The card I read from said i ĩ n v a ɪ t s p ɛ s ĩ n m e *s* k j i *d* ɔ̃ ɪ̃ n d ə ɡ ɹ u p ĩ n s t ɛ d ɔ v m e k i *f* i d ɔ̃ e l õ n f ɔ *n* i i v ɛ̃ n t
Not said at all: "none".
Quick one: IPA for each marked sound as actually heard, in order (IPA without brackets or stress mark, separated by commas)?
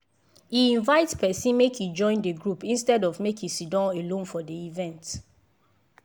none, d͡ʒ, s, d